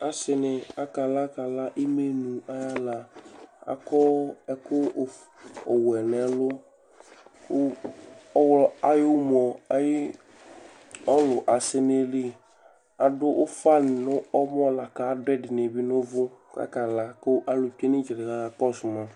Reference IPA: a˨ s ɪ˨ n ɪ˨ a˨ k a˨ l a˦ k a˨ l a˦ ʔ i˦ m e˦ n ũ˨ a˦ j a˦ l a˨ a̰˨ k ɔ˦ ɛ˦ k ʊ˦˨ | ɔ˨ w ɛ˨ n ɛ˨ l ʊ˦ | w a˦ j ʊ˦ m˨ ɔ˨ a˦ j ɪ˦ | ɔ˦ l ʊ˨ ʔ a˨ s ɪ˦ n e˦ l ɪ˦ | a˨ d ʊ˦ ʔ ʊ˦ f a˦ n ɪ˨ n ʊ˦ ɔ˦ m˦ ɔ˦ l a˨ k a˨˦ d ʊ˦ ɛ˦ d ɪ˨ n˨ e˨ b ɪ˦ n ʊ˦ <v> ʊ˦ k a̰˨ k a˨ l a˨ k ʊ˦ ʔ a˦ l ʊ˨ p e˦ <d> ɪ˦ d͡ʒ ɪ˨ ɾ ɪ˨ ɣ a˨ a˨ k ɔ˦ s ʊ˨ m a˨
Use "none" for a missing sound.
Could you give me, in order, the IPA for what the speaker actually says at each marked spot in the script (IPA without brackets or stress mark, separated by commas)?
v, n